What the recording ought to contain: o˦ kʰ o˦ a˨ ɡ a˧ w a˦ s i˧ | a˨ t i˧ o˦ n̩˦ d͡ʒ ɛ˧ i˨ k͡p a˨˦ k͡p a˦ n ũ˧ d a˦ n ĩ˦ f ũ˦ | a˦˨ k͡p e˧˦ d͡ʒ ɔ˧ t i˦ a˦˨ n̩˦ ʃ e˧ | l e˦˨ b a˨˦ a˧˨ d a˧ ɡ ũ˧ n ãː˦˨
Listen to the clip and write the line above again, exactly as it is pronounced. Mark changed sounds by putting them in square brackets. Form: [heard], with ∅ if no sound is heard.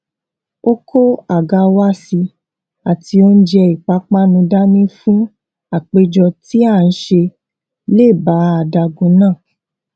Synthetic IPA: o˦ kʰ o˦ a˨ ɡ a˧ w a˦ s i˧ | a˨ t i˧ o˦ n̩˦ d͡ʒ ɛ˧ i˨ k͡p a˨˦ k͡p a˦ n ũ˧ d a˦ n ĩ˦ f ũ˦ | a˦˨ k͡p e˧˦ d͡ʒ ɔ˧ t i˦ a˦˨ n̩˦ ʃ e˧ | l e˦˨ b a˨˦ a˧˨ d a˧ ɡ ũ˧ n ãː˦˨